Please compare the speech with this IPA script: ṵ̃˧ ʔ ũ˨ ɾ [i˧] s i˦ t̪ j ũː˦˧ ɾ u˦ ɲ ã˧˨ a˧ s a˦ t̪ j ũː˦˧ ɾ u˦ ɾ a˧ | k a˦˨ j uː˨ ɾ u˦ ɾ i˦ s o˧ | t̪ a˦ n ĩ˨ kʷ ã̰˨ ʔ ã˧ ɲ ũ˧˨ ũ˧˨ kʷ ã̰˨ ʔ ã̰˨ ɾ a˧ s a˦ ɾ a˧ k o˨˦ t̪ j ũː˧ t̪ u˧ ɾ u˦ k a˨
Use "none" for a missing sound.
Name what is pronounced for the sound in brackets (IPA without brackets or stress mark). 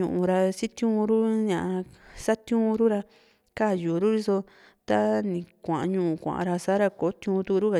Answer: a˧